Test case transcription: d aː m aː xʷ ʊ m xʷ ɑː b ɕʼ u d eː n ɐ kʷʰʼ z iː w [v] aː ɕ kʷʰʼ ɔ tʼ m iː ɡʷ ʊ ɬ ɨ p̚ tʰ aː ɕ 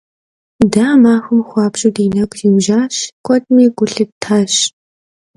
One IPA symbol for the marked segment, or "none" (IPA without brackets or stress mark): ʒ